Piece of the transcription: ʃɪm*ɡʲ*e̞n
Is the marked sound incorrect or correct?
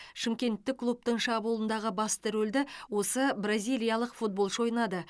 incorrect